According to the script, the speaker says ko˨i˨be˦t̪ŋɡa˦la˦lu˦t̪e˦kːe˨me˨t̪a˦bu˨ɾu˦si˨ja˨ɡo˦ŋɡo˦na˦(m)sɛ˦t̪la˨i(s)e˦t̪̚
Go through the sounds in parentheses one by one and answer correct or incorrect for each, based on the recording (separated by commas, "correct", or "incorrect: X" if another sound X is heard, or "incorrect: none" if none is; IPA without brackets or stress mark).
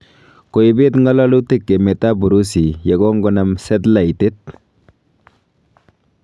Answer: correct, incorrect: t